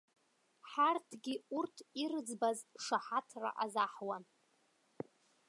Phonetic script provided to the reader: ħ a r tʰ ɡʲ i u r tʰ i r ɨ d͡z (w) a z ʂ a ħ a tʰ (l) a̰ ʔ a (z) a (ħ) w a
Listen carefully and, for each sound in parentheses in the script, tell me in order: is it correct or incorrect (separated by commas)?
incorrect, incorrect, correct, correct